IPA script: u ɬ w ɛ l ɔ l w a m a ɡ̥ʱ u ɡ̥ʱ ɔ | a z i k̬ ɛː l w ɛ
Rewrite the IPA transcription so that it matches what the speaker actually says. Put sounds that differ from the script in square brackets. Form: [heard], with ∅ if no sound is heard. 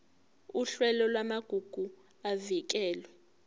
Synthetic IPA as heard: u ɬ w ɛ l ɔ l w a m a ɡ̥ʱ u ɡ̥ʱ [u] | a [v] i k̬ ɛː l w ɛ